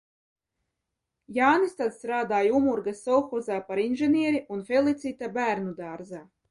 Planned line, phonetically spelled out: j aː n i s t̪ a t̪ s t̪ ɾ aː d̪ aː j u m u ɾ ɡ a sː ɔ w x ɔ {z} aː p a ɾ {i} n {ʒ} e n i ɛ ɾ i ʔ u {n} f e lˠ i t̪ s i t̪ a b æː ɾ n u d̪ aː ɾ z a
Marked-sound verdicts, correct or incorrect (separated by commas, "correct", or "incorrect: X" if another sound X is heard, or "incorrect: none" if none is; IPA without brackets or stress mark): correct, correct, correct, correct